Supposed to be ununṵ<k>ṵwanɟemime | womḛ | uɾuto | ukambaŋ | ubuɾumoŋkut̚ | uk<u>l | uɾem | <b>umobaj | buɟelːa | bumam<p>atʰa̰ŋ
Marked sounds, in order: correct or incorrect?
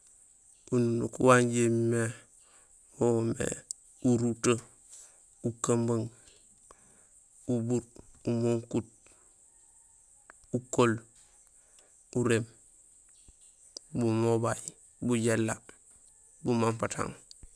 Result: correct, incorrect: o, correct, correct

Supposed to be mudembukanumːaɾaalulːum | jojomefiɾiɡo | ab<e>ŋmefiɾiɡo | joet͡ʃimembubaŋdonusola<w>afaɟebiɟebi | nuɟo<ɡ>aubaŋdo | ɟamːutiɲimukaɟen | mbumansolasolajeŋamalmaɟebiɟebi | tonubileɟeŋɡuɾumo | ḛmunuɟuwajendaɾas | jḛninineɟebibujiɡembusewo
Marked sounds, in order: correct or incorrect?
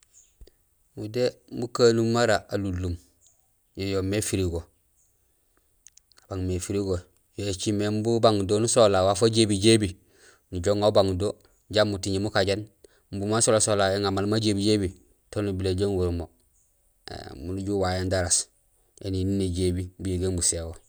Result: incorrect: a, correct, incorrect: ŋ

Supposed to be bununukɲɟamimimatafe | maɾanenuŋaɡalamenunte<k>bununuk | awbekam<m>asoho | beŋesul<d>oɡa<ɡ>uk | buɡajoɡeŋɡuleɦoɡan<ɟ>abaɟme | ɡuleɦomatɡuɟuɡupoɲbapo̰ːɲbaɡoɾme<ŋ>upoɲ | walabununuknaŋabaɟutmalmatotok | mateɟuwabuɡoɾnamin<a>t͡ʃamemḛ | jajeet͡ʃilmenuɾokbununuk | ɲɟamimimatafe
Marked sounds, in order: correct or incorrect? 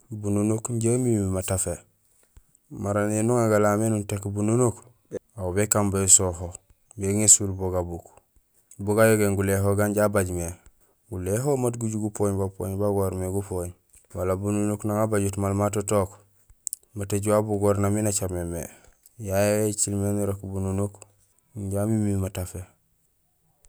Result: correct, incorrect: b, incorrect: b, incorrect: b, correct, incorrect: ɡ, correct

